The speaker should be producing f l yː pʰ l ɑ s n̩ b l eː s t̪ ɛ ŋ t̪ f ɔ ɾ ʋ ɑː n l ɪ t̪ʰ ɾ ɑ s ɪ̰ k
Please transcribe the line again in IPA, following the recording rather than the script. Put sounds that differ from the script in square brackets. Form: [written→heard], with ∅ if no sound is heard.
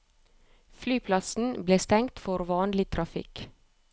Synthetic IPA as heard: f l yː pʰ l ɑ s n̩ b l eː s t̪ ɛ ŋ t̪ f ɔ ɾ ʋ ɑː n l ɪ t̪ʰ ɾ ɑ [s→f] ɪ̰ k